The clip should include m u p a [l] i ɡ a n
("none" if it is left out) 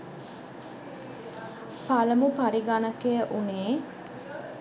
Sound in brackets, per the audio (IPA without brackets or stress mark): ɾ